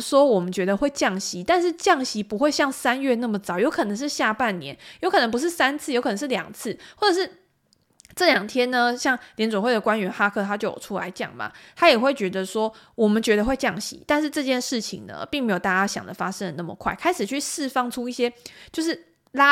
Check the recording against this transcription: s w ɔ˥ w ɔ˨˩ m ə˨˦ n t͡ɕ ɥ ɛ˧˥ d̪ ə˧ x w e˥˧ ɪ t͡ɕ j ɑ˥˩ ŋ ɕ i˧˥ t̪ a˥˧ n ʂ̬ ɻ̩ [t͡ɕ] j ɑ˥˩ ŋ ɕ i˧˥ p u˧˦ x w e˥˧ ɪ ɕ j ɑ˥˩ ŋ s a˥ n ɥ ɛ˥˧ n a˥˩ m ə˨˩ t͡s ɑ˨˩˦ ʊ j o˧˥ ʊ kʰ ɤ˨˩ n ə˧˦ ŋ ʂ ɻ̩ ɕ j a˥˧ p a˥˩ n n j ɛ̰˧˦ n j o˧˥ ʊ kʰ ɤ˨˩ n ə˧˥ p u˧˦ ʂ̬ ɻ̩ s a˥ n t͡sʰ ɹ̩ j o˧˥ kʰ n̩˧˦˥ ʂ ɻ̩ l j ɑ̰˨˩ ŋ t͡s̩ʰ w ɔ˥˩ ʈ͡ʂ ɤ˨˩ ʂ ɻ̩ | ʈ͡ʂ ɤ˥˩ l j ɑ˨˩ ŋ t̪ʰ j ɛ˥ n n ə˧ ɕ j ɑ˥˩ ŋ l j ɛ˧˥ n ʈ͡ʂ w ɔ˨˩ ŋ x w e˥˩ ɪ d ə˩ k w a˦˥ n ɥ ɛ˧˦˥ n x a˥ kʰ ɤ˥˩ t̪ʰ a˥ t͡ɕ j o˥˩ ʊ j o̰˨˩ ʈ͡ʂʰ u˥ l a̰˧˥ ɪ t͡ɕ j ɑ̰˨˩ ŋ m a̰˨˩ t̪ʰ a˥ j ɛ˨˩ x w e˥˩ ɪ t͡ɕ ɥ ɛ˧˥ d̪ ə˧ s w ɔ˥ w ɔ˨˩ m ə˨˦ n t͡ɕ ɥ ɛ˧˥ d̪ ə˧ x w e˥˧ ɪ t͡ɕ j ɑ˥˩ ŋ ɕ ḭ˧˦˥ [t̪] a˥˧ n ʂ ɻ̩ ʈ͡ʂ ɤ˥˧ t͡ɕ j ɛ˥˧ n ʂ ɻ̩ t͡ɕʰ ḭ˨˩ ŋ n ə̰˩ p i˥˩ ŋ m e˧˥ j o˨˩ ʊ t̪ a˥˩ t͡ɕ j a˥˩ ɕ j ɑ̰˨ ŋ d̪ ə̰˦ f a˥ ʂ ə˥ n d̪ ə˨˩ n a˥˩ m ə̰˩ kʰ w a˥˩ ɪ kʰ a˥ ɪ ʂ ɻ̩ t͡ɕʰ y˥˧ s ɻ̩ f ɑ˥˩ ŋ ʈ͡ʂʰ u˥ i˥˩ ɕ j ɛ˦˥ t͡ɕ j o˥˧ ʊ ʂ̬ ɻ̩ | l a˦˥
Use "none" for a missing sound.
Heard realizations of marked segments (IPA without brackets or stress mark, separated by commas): t͡ɕ, t̪